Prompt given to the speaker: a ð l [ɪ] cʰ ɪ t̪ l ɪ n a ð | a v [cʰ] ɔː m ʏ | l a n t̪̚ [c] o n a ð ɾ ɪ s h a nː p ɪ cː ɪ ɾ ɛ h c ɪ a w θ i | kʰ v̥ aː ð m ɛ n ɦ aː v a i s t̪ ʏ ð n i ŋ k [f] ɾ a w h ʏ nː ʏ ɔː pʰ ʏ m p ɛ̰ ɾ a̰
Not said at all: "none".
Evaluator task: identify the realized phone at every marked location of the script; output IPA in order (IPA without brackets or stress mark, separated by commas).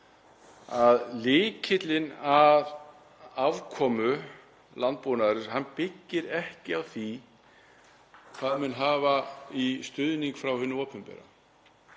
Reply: ɪː, kʰ, p, f